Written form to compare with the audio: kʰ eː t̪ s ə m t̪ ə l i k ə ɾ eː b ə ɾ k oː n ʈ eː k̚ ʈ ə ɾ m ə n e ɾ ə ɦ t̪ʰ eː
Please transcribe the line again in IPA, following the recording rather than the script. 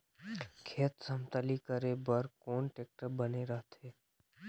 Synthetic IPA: kʰ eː t̪ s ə m t̪ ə l i k ə ɾ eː b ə ɾ k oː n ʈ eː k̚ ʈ ə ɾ b ə n e ɾ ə ɦ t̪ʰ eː

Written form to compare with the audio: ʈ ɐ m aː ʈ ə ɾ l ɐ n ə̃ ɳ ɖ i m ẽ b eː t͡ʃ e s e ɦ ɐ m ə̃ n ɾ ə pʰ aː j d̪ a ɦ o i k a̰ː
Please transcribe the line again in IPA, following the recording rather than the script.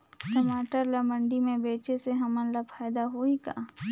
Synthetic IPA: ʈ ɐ m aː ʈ ə ɾ l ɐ m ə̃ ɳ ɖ i m ẽ b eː t͡ʃ e s e ɦ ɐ m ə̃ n l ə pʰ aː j d̪ a ɦ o i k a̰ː

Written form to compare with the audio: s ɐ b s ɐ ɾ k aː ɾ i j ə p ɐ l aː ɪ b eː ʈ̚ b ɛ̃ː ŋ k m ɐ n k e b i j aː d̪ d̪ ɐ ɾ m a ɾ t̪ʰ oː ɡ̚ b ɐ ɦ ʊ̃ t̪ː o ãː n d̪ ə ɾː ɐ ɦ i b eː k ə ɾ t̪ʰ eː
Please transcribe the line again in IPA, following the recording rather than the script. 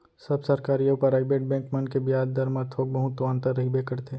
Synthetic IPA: s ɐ b s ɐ ɾ k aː ɾ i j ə p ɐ ɾ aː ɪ b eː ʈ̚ b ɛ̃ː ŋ k m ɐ n k e b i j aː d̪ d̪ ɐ ɾ m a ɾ t̪ʰ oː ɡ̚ b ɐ ɦ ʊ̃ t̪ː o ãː n t̪ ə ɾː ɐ ɦ i b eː k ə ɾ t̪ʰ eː

